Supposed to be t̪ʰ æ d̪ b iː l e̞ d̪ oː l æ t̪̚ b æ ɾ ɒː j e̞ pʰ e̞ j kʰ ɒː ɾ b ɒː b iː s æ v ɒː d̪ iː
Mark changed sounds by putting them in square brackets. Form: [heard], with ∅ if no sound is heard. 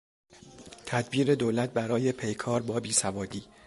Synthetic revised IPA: t̪ʰ æ d̪ b iː [ɾ] e̞ d̪ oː l æ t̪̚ b æ ɾ ɒː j e̞ pʰ e̞ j kʰ ɒː ɾ b ɒː b iː s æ v ɒː d̪ iː